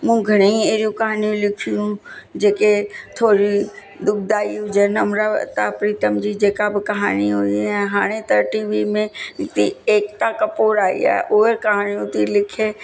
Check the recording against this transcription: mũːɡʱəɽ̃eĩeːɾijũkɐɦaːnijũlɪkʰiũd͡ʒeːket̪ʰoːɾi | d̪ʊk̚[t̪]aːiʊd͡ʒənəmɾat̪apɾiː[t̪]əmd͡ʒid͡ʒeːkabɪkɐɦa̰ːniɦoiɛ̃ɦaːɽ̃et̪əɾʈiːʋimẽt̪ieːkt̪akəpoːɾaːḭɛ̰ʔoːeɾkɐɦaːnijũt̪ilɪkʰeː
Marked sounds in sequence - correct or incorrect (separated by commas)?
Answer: incorrect, correct